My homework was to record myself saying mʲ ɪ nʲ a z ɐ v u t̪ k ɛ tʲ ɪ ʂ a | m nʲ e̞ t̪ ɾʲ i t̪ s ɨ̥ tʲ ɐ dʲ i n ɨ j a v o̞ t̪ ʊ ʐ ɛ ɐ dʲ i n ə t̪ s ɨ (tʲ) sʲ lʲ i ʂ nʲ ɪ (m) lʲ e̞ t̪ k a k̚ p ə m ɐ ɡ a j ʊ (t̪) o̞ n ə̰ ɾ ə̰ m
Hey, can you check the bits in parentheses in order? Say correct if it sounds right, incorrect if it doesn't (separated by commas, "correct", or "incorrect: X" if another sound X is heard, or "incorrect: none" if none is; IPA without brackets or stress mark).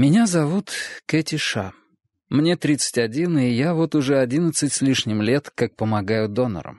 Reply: correct, correct, incorrect: d̪